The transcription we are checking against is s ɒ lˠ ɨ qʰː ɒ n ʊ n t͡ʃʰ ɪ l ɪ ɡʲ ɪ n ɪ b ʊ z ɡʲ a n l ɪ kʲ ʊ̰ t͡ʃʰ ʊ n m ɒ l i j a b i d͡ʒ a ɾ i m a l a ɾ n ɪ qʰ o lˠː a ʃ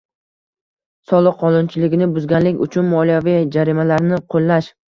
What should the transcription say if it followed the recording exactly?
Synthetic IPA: s ɒ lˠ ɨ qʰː ɒ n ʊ n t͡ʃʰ ɪ l ɪ ɡʲ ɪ n ɪ b ʊ z ɡʲ a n l ɪ kʲ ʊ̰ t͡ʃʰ ʊ n m ɒ l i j a v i d͡ʒ a ɾ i m a l a ɾ n ɪ qʰ o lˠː a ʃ